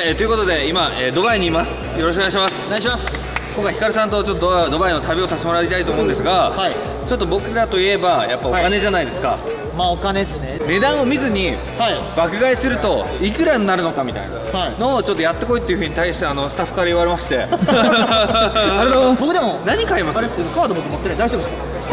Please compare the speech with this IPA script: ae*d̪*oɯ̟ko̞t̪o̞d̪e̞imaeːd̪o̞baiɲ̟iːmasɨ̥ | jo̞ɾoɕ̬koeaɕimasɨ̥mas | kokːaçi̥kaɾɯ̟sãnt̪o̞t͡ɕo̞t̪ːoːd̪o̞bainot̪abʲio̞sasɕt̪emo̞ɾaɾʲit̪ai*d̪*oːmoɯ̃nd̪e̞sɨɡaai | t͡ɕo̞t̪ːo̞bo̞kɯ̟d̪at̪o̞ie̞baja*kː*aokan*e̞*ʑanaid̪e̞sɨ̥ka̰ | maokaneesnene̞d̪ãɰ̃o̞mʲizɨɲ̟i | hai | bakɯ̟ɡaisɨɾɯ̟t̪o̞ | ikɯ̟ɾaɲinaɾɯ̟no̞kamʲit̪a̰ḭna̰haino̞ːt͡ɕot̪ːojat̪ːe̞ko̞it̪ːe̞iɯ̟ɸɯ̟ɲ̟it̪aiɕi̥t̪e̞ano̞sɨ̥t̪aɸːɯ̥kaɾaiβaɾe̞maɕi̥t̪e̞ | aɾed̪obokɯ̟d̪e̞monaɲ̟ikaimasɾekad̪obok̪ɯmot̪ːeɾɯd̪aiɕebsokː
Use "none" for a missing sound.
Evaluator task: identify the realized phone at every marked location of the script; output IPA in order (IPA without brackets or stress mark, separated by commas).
t̪, t̪, pː, e̞